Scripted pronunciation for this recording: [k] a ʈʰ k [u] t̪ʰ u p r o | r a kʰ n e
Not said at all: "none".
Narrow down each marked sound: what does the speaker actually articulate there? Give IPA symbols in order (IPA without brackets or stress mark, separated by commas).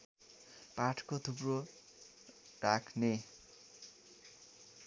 p, o